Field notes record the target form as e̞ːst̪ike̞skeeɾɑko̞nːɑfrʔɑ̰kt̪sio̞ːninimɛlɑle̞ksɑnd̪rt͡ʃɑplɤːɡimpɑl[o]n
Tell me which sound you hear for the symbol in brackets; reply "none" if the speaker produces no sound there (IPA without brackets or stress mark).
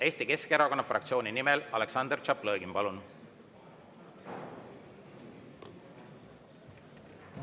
u